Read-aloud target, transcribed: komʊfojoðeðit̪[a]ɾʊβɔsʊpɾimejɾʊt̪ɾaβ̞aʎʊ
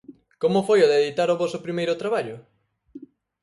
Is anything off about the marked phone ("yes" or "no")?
no